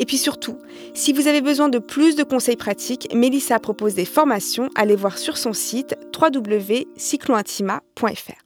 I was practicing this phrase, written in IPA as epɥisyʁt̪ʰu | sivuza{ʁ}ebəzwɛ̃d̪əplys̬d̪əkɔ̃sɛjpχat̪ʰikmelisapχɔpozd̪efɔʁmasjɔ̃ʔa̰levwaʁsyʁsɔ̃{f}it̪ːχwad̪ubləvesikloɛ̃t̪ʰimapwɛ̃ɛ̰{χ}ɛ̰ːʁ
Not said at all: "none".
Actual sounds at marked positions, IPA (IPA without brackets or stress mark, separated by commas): v, s, f